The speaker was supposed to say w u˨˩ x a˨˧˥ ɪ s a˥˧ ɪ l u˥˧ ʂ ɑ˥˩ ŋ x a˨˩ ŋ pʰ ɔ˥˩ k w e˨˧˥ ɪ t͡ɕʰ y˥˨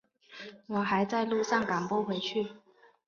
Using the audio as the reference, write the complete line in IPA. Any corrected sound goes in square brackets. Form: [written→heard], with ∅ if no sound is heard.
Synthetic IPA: w [u˨˩→ɔ˨˩] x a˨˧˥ ɪ [s→t͡s] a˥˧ ɪ l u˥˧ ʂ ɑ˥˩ ŋ [x→k] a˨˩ ŋ [pʰ→p] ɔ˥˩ [k→x] w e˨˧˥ ɪ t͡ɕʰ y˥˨

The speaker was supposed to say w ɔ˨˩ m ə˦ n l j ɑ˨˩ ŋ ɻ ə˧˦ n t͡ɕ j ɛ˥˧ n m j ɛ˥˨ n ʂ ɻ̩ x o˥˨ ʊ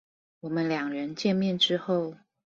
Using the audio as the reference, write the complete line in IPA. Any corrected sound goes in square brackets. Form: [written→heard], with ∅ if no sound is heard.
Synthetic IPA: w ɔ˨˩ m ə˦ n l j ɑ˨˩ ŋ ɻ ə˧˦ n t͡ɕ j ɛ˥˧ n m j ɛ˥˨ n [ʂ→ʈ͡ʂ] ɻ̩ x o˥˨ ʊ

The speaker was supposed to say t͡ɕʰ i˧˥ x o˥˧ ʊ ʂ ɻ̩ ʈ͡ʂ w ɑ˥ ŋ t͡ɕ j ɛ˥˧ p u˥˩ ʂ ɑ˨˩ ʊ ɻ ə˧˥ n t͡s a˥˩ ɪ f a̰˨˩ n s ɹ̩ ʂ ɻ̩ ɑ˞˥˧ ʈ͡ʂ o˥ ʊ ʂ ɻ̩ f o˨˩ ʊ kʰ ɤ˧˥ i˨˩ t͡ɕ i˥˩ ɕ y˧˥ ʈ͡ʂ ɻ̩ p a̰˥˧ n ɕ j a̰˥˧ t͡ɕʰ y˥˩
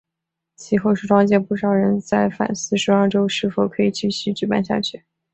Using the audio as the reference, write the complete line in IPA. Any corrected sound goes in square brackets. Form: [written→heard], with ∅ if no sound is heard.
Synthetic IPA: t͡ɕʰ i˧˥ x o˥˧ ʊ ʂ ɻ̩ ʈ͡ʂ w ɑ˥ ŋ t͡ɕ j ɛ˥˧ p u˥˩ ʂ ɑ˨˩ ʊ ɻ ə˧˥ n t͡s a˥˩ ɪ f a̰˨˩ n s ɹ̩ ʂ ɻ̩ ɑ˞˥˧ ʈ͡ʂ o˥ ʊ ʂ ɻ̩ f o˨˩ ʊ kʰ ɤ˧˥ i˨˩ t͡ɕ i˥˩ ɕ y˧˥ ʈ͡ʂ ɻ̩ p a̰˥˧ n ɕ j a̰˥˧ t͡ɕʰ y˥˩

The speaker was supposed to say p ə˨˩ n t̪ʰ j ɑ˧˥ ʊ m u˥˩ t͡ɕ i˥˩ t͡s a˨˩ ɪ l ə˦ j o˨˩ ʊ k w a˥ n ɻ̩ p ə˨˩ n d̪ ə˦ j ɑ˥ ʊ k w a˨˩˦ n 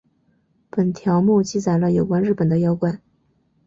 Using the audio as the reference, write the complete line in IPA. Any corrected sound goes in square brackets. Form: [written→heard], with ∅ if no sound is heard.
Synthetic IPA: p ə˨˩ n t̪ʰ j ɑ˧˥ ʊ m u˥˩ t͡ɕ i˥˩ t͡s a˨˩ ɪ l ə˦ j o˨˩ ʊ k w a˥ n ɻ̩ p ə˨˩ n d̪ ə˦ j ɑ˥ ʊ k w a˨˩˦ n

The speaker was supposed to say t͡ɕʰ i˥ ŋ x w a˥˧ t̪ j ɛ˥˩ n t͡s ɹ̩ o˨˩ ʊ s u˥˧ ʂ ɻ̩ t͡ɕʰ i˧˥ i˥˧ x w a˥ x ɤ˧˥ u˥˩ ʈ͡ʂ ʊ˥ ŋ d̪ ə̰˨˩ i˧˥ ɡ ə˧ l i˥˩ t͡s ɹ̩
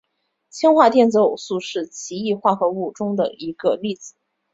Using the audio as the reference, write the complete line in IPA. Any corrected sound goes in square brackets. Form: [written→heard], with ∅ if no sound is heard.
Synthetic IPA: t͡ɕʰ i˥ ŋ x w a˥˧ t̪ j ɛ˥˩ n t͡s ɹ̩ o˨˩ ʊ s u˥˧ ʂ ɻ̩ t͡ɕʰ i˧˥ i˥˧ x w [a˥→a˥˩] x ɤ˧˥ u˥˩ ʈ͡ʂ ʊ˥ ŋ d̪ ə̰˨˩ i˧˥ ɡ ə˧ l i˥˩ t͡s ɹ̩

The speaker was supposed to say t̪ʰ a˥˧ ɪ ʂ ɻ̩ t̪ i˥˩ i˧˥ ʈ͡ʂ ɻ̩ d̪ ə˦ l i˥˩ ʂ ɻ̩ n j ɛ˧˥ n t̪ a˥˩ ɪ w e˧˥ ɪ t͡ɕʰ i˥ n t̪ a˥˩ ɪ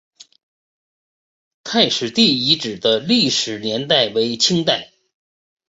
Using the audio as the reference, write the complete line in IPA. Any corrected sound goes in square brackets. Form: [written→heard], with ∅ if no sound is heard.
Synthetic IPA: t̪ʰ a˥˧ ɪ ʂ ɻ̩ t̪ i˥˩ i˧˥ ʈ͡ʂ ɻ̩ d̪ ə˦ l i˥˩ ʂ ɻ̩ n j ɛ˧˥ n t̪ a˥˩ ɪ w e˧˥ ɪ t͡ɕʰ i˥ [n→ŋ] t̪ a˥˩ ɪ

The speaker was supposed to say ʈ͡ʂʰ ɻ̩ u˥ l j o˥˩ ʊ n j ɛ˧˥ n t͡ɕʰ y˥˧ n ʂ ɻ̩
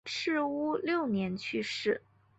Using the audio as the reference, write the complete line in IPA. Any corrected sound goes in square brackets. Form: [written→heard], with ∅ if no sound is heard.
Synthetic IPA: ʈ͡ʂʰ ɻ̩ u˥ l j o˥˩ ʊ n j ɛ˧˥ n t͡ɕʰ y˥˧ [n→∅] ʂ ɻ̩

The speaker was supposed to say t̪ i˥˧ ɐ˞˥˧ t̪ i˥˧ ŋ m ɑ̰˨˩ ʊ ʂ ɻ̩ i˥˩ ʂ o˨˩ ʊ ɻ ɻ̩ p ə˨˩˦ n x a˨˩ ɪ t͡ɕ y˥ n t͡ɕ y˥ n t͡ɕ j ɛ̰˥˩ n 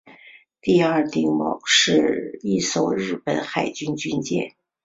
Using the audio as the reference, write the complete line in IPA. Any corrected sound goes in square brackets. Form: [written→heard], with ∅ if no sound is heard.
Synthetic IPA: t̪ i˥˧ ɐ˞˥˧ t̪ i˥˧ ŋ m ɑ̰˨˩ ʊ ʂ ɻ̩ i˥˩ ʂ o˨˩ ʊ ɻ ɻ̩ p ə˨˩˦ n x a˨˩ ɪ t͡ɕ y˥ n t͡ɕ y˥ n t͡ɕ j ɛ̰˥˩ n

